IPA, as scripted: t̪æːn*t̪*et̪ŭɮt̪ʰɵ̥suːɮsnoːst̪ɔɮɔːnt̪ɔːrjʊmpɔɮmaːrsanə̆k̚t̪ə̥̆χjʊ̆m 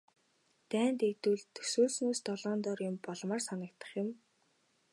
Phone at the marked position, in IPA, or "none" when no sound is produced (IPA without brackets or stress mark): t̪